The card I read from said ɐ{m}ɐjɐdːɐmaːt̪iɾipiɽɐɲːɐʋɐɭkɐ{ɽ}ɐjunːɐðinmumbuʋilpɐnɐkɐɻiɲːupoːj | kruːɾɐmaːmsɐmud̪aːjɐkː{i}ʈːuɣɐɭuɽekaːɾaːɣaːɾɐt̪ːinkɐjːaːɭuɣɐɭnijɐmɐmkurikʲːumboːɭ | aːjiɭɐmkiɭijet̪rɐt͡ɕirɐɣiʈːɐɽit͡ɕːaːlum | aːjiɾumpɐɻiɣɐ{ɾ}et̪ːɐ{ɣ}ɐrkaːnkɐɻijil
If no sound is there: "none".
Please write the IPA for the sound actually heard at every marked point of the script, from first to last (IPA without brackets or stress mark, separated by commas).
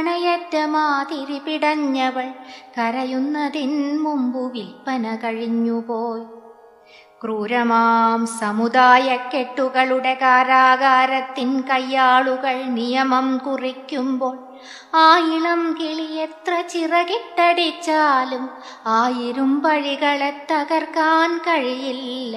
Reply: ɳ, ɾ, e, ɭ, ɣ